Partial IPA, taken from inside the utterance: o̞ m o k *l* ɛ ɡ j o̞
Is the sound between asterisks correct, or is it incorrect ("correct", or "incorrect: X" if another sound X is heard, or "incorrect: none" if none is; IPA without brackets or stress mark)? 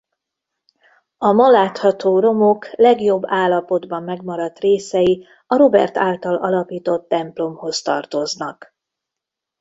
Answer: correct